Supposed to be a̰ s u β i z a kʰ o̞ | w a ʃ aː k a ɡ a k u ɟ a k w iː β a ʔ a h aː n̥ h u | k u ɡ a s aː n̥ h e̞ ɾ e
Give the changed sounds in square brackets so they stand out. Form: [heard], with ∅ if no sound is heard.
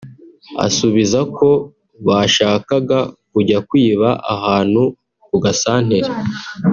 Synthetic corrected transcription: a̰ s u β i z a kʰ o̞ | [β] a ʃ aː k a ɡ a k u ɟ a k w iː β a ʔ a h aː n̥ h u | k u ɡ a s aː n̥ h e̞ ɾ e